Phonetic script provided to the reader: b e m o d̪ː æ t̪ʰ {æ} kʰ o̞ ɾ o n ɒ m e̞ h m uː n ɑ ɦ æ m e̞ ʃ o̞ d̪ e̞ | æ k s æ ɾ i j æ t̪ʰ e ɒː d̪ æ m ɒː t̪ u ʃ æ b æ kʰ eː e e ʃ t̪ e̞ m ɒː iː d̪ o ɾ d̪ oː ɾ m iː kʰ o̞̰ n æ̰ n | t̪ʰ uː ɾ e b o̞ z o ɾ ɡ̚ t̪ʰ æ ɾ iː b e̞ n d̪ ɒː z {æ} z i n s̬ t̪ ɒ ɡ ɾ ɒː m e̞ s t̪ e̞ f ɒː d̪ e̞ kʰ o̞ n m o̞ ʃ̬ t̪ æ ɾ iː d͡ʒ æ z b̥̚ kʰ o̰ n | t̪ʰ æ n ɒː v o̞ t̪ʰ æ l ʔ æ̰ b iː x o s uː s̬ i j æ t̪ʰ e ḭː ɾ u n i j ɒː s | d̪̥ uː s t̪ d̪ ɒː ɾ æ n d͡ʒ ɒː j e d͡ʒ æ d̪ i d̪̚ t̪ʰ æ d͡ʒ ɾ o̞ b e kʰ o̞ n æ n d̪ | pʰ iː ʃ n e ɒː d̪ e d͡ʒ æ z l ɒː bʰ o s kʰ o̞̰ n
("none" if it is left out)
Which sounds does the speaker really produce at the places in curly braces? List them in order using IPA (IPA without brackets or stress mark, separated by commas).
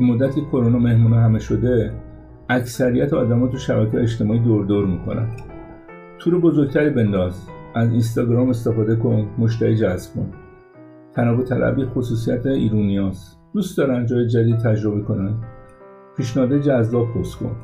i, æ